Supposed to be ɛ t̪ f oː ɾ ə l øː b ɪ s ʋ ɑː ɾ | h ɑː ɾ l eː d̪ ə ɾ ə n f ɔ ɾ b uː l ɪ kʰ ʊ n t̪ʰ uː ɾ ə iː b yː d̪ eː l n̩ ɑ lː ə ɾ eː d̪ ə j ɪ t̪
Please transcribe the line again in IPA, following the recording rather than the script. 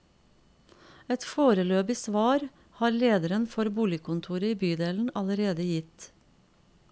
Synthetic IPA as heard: ɛ t̪ f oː ɾ ə l øː b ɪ s ʋ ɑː ɾ | h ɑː ɾ l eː d̪ ə ɾ ə n f ɔ ɾ b uː l ɪ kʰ ʊ n t̪ʰ uː ɾ ə iː b yː d̪ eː l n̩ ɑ l ə ɾ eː d̪ ə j ɪ t̪